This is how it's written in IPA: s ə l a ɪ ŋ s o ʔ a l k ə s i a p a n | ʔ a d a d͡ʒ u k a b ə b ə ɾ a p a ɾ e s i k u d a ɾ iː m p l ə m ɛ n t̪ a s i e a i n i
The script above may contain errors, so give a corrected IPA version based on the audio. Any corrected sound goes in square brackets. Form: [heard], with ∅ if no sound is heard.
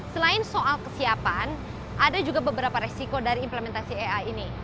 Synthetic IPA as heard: s ə l a ɪ [n] s o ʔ a l k ə s i a p a n | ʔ a d a d͡ʒ u [ɡ] a b ə b ə ɾ a p a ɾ e s i k [o] d a ɾ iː m p l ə m ɛ n t̪ a s i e a i n i